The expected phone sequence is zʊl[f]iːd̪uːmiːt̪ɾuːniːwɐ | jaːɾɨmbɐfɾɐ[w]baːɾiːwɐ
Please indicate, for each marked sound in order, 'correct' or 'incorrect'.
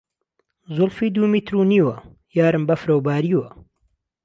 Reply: correct, correct

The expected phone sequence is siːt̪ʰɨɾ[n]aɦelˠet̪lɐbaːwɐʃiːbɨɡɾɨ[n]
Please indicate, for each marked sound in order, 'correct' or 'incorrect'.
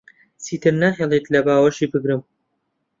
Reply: correct, incorrect: m

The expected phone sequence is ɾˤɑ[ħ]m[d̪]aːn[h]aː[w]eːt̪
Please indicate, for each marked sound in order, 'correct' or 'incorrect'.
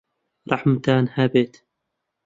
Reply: correct, incorrect: t̪, correct, incorrect: b

